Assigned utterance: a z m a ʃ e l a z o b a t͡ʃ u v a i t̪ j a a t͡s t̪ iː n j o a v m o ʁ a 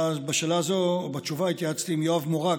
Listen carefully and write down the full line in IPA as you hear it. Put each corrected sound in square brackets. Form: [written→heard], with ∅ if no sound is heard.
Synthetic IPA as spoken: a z [m→b] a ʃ e l a z o b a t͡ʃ u v a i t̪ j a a t͡s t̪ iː [n→m] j o a v m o ʁ a